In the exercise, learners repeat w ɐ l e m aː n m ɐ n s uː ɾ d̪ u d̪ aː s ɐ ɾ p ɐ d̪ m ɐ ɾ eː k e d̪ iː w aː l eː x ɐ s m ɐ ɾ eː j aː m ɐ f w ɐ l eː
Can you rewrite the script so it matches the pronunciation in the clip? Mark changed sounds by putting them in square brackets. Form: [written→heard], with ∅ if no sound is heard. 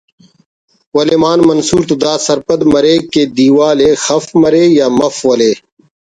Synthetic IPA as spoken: w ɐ l e m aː n m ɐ n s uː ɾ [d̪→t̪] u d̪ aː s ɐ ɾ p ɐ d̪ m ɐ ɾ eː k e d̪ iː w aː l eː x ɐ [s→f] m ɐ ɾ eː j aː m ɐ f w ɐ l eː